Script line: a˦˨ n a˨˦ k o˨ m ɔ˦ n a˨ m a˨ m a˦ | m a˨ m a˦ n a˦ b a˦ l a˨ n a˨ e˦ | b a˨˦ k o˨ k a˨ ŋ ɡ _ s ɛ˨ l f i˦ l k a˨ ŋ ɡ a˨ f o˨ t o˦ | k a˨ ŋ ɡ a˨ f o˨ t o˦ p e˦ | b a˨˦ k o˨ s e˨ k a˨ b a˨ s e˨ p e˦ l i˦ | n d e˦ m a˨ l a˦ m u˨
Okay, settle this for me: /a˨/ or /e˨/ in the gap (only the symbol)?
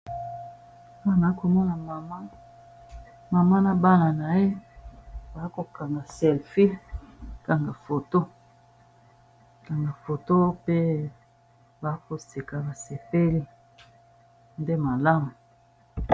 a˨